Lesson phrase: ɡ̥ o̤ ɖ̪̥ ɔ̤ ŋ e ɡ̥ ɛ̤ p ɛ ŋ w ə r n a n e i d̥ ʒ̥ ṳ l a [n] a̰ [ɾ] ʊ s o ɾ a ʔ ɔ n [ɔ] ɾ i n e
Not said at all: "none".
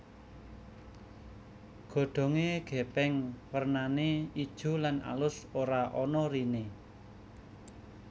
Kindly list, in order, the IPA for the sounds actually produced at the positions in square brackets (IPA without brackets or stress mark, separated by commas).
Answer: n, l, ɔ